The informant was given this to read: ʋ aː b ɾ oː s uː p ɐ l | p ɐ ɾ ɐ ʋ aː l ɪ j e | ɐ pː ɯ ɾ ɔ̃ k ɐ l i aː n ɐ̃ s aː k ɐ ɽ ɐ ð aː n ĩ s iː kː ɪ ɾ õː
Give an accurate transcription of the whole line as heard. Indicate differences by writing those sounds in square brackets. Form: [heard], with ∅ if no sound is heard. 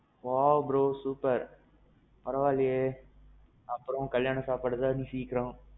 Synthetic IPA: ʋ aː b ɾ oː s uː p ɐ [ɾ] | p ɐ ɾ ɐ ʋ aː l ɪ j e | ɐ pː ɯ ɾ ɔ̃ k ɐ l [j] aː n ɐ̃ s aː [p] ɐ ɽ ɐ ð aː n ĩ s iː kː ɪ ɾ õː